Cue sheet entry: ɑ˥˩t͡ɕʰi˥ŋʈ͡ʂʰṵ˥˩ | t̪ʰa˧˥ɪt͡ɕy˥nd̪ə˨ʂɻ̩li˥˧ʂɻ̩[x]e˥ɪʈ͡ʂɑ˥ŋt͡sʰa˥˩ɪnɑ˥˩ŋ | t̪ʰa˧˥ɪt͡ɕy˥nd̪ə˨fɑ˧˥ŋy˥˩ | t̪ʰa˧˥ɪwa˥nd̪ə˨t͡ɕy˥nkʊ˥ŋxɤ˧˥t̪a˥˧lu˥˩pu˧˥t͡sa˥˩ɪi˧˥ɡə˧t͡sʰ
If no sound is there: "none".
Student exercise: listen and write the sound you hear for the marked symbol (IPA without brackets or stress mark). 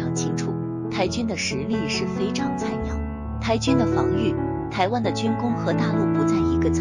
f